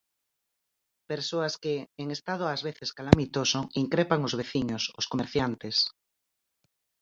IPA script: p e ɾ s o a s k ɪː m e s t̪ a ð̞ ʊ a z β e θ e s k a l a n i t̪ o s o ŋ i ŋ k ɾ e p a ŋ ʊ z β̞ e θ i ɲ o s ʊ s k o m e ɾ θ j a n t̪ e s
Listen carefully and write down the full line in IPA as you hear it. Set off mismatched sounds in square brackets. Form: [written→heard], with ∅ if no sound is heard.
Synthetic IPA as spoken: p e ɾ s o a s k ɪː [m→ŋ] e s t̪ a ð̞ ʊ a z β e θ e s k a l a [n→m] i t̪ o s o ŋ i ŋ k ɾ e p a ŋ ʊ z β̞ e θ i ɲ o s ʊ s k o m e ɾ θ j a n t̪ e s